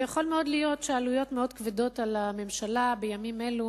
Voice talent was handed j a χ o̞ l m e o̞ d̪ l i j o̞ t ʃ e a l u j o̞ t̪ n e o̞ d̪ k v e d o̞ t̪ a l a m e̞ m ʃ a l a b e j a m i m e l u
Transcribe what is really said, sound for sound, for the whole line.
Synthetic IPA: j a χ o̞ l m e o̞ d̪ l i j o̞ t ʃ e a l u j o̞ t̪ m e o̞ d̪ k v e d o̞ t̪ a l a m e̞ m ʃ a l a b e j a m i m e l u